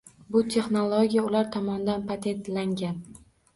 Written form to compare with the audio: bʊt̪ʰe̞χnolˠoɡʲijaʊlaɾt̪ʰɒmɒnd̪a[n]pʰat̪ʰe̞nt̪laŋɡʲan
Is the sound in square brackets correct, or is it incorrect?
correct